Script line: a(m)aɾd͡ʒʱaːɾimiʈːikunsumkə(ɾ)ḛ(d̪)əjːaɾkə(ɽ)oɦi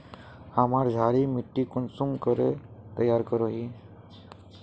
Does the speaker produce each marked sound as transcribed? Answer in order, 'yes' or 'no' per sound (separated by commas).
yes, yes, no, no